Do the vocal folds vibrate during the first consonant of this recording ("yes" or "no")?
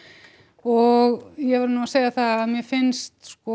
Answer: yes